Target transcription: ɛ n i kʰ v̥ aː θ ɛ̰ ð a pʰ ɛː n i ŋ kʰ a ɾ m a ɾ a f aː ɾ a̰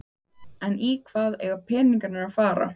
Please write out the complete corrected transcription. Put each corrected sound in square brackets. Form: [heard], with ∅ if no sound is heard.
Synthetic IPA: ɛ n i kʰ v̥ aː [ð] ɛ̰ [ɣ] a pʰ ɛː n i ŋ [k] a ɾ [n] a ɾ a f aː ɾ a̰